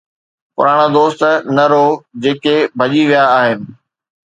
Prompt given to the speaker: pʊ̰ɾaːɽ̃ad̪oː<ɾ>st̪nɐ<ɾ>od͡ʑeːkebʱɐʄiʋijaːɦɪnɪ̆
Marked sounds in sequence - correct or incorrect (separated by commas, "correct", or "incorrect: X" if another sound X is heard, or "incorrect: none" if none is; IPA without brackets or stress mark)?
incorrect: none, correct